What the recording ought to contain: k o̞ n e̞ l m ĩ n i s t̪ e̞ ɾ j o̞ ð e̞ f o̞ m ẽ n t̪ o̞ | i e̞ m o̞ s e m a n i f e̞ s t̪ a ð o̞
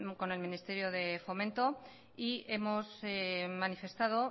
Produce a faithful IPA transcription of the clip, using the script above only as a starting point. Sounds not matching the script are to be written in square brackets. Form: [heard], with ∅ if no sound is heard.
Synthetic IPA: k o̞ n e̞ l m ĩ n i s t̪ e̞ ɾ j o̞ ð e̞ f o̞ m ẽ n t̪ o̞ | i e̞ m o̞ s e m a n i f e̞ s t̪ a ð o̞